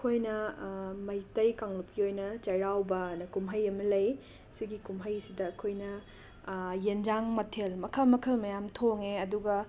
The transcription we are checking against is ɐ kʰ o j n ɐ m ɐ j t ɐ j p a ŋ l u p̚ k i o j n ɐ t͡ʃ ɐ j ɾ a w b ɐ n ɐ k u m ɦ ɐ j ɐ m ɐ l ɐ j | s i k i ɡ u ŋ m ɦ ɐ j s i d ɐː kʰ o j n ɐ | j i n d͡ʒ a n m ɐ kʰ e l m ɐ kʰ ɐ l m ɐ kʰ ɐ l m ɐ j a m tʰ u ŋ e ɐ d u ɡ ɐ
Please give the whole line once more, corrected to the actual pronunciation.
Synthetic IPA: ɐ kʰ o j n ɐ m ɐ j t ɐ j k a ŋ l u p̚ k i o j n ɐ t͡ʃ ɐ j ɾ a w b ɐ n ɐ k u m ɦ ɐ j ɐ m ɐ l ɐ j | s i ɡ i k u m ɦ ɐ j s i d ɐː kʰ o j n ɐ | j e n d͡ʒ a ŋ m ɐ tʰ e l m ɐ kʰ ɐ l m ɐ kʰ ɐ l m ɐ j a m tʰ o ŋ e ɐ d u ɡ ɐ